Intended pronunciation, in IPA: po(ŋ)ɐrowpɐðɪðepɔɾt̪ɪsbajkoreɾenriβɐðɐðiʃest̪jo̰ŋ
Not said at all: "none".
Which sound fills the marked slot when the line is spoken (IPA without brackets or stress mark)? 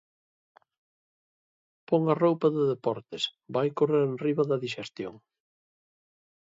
ŋ